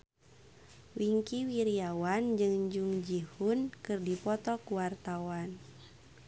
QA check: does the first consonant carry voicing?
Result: yes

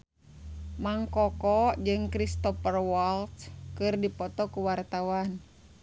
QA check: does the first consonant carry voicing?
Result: yes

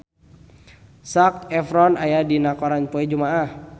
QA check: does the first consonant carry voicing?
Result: no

